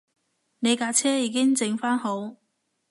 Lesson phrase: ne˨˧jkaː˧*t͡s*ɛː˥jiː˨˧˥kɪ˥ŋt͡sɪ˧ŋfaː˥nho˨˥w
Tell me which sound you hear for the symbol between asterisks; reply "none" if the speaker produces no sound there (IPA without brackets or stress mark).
t͡sʰ